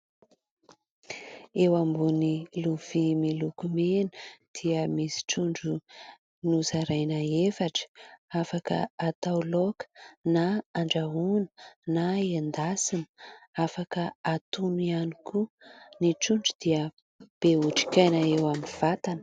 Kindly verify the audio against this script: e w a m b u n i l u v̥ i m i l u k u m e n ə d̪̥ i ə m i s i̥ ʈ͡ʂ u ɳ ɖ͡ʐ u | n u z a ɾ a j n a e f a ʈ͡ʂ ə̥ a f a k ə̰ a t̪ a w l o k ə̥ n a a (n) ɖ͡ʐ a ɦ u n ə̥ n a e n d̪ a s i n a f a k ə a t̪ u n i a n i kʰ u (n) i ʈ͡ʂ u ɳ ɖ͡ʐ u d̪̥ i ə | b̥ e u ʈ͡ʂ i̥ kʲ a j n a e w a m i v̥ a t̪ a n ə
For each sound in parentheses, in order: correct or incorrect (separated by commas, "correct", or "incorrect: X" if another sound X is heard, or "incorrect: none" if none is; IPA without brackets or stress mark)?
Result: incorrect: ɳ, correct